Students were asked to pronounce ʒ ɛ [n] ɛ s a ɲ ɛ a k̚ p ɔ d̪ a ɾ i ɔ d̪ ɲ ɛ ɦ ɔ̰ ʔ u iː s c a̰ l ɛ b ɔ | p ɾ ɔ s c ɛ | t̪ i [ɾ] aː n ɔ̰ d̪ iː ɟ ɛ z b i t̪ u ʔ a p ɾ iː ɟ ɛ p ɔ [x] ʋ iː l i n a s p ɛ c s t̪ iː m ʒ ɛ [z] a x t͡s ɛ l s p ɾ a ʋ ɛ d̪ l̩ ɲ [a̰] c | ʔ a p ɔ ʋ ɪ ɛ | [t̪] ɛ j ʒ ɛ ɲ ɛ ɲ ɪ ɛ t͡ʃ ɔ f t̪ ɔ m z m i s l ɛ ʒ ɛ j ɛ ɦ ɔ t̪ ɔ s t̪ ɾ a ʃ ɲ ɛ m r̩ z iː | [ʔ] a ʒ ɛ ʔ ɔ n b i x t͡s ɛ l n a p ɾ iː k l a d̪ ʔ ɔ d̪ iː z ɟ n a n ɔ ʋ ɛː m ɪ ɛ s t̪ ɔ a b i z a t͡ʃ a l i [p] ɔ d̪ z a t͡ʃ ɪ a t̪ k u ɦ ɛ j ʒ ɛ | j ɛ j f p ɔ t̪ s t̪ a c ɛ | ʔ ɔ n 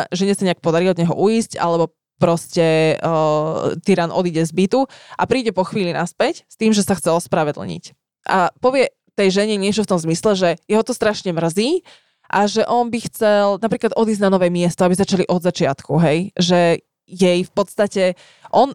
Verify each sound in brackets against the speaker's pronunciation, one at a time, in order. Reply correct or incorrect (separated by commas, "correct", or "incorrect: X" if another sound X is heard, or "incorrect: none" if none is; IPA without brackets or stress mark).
incorrect: ɲ, correct, correct, incorrect: s, incorrect: ḭ, correct, correct, incorrect: ʔ